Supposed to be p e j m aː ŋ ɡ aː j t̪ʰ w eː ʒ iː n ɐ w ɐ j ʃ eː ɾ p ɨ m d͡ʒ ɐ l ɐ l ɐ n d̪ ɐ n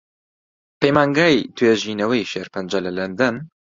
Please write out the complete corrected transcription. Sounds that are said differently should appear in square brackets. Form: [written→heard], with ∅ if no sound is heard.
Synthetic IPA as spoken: p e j m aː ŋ ɡ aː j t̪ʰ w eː ʒ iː n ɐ w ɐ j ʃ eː ɾ p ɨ [m→n] d͡ʒ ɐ l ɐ l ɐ n d̪ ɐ n